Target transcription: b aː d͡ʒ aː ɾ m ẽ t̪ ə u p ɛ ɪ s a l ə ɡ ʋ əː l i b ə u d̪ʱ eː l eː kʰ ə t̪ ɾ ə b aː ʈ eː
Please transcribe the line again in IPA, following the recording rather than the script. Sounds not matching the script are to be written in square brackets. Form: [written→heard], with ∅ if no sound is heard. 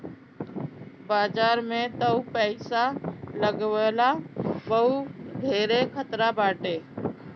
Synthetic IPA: b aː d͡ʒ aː ɾ m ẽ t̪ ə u p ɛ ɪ s a l ə ɡ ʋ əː l [i→a] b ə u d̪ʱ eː [l→ɾ] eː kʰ ə t̪ ɾ [ə→a] b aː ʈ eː